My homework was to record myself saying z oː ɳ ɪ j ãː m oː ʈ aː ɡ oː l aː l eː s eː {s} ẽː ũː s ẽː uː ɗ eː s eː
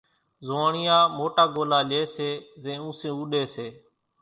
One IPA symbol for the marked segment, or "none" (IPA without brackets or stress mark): z